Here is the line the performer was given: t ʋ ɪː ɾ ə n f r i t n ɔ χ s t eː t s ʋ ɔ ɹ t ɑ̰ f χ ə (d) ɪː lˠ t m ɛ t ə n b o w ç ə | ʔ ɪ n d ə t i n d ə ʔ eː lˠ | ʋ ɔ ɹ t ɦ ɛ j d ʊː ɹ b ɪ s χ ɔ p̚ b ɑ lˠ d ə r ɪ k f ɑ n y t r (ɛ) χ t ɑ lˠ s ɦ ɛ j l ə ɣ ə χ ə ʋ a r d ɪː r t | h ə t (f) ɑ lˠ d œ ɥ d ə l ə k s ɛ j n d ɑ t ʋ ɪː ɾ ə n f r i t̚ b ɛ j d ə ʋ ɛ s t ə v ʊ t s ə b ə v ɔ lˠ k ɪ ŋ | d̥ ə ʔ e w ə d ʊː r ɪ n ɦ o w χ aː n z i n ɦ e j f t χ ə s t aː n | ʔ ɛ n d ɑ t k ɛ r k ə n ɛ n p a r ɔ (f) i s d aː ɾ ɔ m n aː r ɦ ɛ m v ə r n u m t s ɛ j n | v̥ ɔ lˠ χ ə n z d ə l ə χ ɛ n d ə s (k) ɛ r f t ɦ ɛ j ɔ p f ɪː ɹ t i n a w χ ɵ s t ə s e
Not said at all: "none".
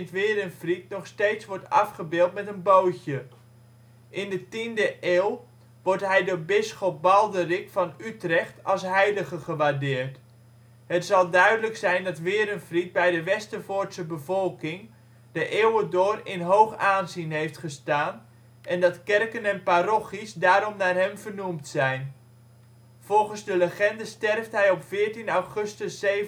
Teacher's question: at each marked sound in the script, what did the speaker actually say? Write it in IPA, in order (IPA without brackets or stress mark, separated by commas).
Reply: b, ɛ, s, χ, t